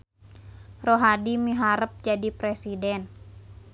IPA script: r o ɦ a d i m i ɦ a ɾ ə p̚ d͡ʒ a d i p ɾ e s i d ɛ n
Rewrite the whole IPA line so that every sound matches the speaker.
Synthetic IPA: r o ɦ a d i m i ɦ a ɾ ə p̚ d͡ʒ a d i p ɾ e s i d ɛ n